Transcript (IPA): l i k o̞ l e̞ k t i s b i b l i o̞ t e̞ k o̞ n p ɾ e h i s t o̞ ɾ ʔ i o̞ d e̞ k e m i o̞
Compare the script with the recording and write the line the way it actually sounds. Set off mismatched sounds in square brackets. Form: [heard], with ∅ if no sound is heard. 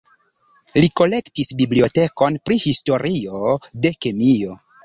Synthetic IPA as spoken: l i k o̞ l e̞ k t i s b i b l i o̞ t e̞ k o̞ n p ɾ [i] h i s t o̞ ɾ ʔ i o̞ d e̞ k e m i o̞

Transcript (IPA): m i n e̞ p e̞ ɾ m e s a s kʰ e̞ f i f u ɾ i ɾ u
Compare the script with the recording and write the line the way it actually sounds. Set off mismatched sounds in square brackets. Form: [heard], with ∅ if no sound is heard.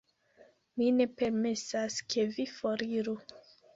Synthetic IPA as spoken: m i n e̞ p e̞ ɾ m e s a s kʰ e̞ [v] i f [o] ɾ i ɾ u

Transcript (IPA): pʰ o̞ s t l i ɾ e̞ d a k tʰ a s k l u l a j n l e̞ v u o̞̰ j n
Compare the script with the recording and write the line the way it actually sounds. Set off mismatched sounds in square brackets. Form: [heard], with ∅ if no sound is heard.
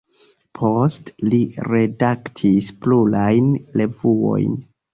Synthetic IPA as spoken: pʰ o̞ s t l i ɾ e̞ d a k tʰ [i] s [p] l u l a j n l e̞ v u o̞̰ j n

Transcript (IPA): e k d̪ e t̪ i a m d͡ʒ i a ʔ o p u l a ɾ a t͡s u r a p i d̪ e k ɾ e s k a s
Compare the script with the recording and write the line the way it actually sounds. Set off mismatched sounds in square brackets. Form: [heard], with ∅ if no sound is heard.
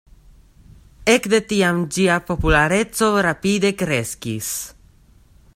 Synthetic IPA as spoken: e k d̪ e t̪ i a m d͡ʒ i a [p] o p u l a ɾ [e] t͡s [o] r a p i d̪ e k ɾ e s k [i] s

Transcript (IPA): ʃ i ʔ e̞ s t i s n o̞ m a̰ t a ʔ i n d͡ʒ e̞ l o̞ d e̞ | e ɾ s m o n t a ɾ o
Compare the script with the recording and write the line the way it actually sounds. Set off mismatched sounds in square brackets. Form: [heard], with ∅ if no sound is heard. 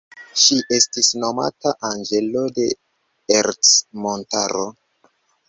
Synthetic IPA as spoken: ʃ i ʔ e̞ s t i s n o̞ m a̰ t a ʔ [a] n d͡ʒ e̞ l o̞ d e̞ | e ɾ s m o n t a ɾ o

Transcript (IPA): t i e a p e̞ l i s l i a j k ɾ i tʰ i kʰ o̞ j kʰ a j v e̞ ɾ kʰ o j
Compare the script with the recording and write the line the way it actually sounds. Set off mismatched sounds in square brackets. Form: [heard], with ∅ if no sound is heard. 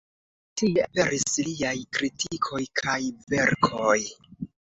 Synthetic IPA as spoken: t i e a p e̞ [ɾ] i s l i a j k ɾ i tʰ i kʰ o̞ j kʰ a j v e̞ ɾ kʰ o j

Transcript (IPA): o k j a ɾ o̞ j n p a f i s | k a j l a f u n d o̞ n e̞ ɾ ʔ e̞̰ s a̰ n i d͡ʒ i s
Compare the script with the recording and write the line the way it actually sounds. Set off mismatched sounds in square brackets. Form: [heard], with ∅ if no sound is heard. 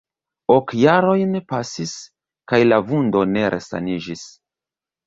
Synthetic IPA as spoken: o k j a ɾ o̞ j n p a [s] i s | k a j l a [v] u n d o̞ n e̞ ɾ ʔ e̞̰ s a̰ n i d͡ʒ i s

